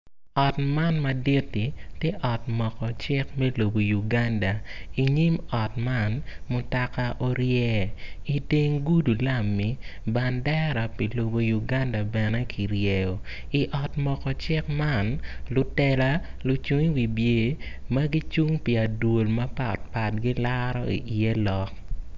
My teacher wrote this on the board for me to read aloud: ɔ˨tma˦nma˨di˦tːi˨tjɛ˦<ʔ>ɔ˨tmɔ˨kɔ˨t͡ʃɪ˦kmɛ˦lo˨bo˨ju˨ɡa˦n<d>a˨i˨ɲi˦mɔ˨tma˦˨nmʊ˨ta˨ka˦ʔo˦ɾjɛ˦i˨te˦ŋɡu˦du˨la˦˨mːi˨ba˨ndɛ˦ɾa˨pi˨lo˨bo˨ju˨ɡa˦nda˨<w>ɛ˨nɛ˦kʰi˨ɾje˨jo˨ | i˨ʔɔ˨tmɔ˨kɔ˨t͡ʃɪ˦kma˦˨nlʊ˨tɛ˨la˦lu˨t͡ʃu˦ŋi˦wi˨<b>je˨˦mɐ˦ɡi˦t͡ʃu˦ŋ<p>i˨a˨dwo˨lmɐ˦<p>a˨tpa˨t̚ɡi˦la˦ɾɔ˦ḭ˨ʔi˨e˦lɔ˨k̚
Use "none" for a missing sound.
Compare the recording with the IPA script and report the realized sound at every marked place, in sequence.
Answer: ʔ, d, b, b, p, p

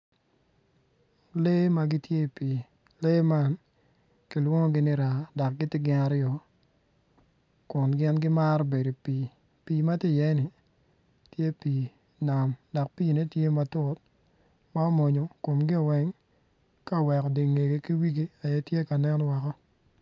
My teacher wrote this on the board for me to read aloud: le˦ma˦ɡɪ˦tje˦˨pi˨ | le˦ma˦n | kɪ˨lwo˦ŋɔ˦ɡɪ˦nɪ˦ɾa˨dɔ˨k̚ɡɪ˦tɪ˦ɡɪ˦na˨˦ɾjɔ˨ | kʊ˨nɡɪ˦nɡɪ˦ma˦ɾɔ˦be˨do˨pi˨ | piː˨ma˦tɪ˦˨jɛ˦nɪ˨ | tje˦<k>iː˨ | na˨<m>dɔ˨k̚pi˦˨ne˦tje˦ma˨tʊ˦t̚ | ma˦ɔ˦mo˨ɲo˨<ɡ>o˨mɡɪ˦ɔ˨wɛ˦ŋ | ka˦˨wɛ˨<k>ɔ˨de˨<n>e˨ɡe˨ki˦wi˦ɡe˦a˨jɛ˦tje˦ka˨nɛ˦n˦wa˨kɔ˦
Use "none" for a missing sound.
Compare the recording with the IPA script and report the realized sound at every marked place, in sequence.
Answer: p, m, k, k, ŋ

